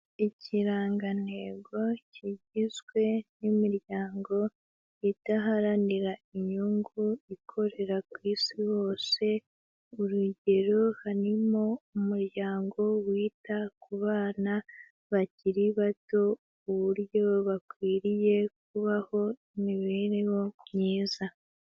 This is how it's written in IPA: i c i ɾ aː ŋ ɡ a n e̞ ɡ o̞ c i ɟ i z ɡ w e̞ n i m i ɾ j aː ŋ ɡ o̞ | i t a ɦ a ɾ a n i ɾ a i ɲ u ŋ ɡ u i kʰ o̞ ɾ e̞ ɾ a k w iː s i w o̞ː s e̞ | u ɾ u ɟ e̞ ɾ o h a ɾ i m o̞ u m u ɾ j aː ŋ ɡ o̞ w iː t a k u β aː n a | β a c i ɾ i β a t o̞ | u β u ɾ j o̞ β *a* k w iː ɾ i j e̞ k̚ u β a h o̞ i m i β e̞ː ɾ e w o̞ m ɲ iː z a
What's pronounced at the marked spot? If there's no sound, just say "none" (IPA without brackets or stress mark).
a